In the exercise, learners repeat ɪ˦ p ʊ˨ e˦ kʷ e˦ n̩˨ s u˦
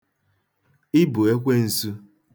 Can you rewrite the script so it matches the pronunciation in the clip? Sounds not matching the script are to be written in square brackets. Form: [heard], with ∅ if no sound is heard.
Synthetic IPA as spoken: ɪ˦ [b] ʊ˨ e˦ kʷ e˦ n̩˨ s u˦